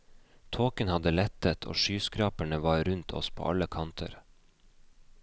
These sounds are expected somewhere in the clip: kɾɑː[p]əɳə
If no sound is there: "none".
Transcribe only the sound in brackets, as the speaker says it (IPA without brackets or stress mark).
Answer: p